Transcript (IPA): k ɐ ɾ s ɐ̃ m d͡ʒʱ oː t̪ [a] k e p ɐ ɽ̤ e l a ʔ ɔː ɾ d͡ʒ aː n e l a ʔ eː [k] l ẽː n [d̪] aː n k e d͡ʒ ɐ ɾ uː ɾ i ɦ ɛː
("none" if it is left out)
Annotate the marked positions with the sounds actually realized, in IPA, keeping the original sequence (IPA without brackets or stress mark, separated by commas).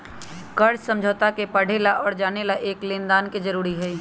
a, k, d̪